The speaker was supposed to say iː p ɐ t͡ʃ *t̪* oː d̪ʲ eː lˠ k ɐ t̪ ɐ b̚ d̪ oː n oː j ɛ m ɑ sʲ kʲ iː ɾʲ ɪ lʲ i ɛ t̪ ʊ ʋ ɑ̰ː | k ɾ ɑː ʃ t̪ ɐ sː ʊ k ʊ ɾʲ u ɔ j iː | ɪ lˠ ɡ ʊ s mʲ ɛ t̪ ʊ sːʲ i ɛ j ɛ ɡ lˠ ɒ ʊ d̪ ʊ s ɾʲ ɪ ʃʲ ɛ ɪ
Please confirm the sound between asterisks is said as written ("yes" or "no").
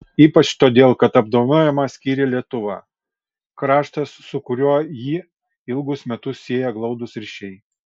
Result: yes